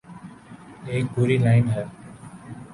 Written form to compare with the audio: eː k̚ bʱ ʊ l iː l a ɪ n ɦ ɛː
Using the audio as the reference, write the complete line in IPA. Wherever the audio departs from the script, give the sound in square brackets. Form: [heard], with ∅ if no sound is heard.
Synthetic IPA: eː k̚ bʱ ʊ [ɾ] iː l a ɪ n ɦ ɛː